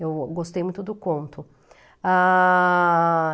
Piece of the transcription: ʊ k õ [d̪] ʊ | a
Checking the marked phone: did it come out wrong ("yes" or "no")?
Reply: yes